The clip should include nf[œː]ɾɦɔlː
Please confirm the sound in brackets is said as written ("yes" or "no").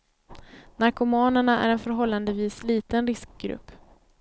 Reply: no